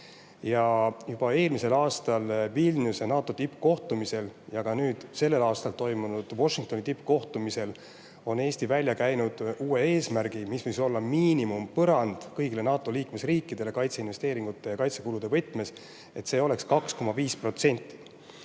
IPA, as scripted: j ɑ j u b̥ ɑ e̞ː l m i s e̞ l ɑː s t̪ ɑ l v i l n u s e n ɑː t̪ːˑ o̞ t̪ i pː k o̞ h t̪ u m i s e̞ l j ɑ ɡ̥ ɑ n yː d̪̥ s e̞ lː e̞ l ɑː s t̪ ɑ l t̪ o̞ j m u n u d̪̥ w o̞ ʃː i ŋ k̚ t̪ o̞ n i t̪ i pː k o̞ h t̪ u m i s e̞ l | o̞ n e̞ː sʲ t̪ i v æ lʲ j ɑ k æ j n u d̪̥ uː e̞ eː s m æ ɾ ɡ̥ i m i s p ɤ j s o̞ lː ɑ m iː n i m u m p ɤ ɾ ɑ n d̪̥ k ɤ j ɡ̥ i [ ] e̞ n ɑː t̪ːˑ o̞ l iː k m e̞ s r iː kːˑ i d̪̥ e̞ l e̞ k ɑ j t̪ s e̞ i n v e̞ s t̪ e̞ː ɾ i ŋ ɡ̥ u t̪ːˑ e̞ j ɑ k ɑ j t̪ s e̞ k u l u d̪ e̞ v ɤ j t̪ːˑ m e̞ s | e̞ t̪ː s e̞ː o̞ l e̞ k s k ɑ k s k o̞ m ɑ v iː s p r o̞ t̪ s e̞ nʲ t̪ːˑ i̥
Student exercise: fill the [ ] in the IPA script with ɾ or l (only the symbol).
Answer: l